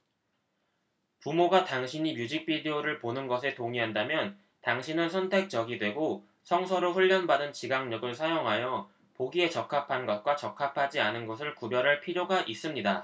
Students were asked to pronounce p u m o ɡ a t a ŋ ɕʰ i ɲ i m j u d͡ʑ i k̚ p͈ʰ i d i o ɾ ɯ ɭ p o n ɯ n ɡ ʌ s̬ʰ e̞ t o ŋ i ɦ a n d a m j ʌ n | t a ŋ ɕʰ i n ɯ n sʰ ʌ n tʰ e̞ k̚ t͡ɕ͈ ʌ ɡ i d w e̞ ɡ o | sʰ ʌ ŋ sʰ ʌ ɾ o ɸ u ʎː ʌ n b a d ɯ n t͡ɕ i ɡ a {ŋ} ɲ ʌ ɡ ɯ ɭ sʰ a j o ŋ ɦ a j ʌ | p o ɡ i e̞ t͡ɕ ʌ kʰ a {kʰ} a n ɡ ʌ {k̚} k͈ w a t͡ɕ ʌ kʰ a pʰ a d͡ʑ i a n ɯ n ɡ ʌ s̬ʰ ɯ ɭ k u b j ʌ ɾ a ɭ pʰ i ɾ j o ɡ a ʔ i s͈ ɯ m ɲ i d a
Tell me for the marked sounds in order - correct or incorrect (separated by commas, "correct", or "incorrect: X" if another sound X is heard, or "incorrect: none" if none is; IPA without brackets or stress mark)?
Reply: correct, incorrect: pʰ, incorrect: t̚